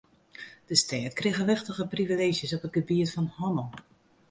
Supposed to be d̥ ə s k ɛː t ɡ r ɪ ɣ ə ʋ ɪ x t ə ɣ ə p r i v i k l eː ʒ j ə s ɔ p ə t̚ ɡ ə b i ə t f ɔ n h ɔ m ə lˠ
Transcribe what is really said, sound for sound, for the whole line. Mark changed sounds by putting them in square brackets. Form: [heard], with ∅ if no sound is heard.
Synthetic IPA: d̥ ə s [t] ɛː t [k] r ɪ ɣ ə ʋ ɪ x t ə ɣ ə p r i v i [∅] l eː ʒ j ə s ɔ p ə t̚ ɡ ə b i ə t f ɔ n h ɔ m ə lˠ